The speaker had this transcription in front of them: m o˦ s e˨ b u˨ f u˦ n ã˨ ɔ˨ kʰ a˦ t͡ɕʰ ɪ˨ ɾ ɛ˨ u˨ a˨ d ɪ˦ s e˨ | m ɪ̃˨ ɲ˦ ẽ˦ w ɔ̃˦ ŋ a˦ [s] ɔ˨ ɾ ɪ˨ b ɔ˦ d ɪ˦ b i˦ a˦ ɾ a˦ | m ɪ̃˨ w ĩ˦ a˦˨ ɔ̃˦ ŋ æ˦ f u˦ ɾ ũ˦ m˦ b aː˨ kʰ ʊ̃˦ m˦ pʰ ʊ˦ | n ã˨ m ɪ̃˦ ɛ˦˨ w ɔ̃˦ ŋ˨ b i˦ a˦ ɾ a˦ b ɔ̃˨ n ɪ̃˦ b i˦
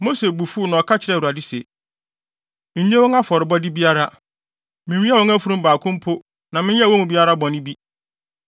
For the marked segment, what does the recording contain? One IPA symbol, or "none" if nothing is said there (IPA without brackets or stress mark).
f